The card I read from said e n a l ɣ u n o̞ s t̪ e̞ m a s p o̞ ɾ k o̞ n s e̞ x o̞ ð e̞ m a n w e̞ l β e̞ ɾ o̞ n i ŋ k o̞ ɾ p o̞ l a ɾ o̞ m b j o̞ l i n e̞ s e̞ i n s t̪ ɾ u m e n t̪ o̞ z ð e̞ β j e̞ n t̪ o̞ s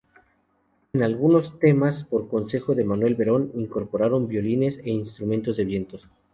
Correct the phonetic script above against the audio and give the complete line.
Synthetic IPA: e n a l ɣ u n o̞ s t̪ e̞ m a s p o̞ ɾ k o̞ n s e̞ x o̞ ð e̞ m a n w e̞ l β e̞ ɾ o̞ n i ŋ k o̞ ɾ p o̞ ɾ a ɾ o̞ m b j o̞ l i n e̞ s e̞ i n s t̪ ɾ u m e n t̪ o̞ z ð e̞ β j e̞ n t̪ o̞ s